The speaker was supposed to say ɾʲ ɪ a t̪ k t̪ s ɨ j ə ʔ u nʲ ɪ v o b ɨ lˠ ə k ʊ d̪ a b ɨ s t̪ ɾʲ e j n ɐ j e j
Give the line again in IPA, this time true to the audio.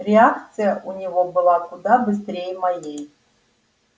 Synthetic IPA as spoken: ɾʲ ɪ a k t̪ s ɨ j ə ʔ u nʲ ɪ v o b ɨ lˠ a k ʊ d̪ a b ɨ s t̪ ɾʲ e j m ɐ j e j